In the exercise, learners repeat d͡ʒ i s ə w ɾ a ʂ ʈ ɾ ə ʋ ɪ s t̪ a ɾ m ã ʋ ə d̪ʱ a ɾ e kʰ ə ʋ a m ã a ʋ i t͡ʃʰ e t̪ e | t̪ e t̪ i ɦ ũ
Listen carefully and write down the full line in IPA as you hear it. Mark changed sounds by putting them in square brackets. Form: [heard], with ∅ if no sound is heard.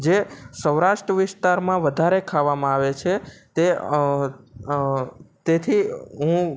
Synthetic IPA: d͡ʒ [e] s ə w ɾ a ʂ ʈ ɾ ə ʋ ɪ s t̪ a ɾ m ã ʋ ə d̪ʱ a ɾ e kʰ [a] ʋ a m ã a ʋ [e] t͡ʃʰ e t̪ e | t̪ e [t̪ʰ] i ɦ ũ